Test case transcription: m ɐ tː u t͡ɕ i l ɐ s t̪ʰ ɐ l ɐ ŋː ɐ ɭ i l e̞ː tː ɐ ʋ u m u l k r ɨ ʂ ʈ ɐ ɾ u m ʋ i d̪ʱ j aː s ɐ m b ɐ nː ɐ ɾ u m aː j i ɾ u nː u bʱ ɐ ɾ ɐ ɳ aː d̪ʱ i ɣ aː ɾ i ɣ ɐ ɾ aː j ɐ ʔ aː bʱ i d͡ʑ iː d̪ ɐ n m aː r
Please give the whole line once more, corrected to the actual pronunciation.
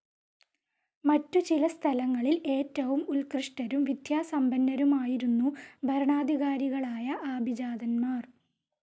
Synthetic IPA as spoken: m ɐ tː u t͡ɕ i l ɐ s t̪ʰ ɐ l ɐ ŋː ɐ ɭ i l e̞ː tː ɐ ʋ u m u l k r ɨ ʂ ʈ ɐ ɾ u m ʋ i d̪ʱ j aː s ɐ m b ɐ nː ɐ ɾ u m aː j i ɾ u nː u bʱ ɐ ɾ ɐ ɳ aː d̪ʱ i ɣ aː ɾ i ɣ ɐ ɭ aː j ɐ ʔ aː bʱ i d͡ʑ aː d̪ ɐ n m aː r